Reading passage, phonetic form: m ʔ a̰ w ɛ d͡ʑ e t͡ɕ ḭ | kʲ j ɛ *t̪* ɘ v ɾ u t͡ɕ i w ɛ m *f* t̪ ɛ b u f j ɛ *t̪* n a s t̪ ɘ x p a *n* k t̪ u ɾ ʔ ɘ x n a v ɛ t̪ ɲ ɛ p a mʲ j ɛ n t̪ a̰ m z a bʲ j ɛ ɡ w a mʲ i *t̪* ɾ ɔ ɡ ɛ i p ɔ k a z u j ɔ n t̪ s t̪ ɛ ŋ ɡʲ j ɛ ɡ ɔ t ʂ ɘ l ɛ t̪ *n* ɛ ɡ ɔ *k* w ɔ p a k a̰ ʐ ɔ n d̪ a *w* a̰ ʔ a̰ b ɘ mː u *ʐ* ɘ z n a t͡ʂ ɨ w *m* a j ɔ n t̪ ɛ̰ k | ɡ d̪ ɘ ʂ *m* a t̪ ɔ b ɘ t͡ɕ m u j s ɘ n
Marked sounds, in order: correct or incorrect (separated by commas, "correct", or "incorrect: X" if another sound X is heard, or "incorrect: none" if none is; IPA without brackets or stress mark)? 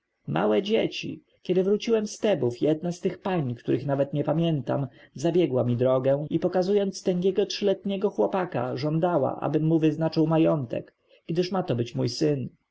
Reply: incorrect: d̪, incorrect: s, incorrect: d̪, incorrect: ɲ, incorrect: d̪, incorrect: ɲ, incorrect: x, correct, incorrect: v, correct, correct